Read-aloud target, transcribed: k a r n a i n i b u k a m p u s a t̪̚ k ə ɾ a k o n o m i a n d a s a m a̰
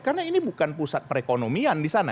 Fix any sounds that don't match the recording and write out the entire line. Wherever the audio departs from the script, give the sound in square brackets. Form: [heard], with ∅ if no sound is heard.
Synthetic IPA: k a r n a i n i b u k a [n] p u s a t̪̚ [p] ə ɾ [e] k o n o m i a n d [i] s a [n] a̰